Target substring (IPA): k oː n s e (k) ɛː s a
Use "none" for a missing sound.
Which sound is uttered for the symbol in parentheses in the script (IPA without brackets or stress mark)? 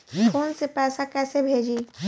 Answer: p